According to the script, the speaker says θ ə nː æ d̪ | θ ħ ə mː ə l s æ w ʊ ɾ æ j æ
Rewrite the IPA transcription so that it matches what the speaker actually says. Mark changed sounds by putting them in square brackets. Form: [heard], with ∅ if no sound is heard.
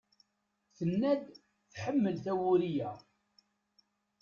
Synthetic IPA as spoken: θ ə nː æ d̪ | θ ħ ə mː ə l [θ] æ w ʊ ɾ [i] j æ